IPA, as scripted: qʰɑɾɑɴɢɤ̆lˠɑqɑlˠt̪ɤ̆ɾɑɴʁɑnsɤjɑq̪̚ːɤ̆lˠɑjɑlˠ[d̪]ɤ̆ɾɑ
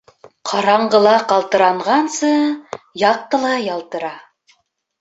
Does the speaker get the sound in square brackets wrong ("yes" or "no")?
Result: yes